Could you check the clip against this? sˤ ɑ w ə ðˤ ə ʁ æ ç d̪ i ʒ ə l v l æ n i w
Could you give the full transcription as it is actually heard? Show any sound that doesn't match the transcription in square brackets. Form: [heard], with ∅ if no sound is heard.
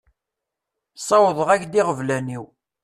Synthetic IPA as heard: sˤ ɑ w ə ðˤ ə ʁ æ ç d̪ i [ʁ] ə [∅] v l æ n i w